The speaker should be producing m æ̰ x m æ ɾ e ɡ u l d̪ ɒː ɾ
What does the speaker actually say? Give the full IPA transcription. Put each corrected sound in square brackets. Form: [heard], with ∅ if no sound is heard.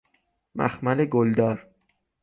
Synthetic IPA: m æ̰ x m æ [l] e ɡ [o] l d̪ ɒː ɾ